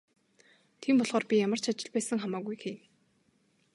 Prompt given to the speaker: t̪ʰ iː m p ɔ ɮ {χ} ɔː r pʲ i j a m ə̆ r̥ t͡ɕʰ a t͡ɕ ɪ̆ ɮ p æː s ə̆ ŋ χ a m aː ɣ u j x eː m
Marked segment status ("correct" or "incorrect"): incorrect